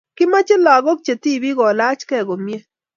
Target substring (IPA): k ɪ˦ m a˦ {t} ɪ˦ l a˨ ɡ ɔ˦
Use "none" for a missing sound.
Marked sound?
t͡ʃ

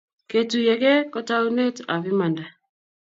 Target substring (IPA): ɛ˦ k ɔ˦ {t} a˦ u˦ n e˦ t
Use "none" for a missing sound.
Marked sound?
t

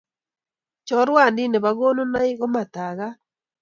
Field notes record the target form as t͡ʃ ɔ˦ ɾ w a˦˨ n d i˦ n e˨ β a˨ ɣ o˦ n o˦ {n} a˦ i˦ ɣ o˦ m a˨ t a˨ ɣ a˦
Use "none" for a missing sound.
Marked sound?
n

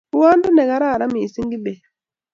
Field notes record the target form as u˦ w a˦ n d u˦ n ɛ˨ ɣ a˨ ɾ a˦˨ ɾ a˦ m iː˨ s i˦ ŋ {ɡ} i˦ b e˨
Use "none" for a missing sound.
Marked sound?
ɡ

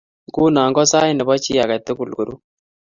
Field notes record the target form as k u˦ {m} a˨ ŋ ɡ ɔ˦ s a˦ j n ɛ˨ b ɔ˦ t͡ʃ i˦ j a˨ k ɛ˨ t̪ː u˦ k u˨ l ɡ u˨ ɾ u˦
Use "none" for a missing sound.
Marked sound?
n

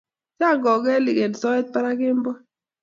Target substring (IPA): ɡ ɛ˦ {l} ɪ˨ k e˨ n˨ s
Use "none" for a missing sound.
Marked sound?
l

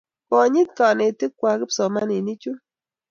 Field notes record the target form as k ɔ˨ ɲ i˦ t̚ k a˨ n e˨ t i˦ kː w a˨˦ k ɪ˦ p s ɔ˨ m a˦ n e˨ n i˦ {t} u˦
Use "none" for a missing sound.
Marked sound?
t͡ʃ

